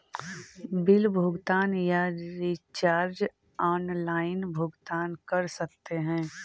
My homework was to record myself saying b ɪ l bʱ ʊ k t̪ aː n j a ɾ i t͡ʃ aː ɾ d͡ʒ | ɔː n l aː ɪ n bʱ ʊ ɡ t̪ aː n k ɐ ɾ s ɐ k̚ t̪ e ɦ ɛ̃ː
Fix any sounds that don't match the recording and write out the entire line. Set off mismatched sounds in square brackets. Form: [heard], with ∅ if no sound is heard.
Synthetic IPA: b ɪ l bʱ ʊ [ɡ] t̪ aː n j a ɾ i t͡ʃ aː ɾ d͡ʒ | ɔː n l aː ɪ n bʱ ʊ ɡ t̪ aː n k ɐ ɾ s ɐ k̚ t̪ e ɦ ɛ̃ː